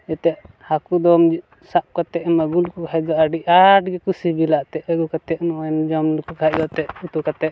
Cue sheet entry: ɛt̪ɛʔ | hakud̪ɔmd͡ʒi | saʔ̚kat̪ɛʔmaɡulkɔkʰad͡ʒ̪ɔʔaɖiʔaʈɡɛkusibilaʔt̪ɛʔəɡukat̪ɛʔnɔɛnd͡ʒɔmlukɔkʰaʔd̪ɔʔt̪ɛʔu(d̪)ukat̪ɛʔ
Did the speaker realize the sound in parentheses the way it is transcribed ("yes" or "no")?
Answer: no